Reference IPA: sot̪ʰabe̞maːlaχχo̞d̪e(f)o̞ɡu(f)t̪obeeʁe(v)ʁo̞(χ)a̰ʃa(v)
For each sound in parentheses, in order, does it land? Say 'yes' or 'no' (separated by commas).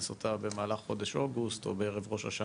no, no, yes, no, no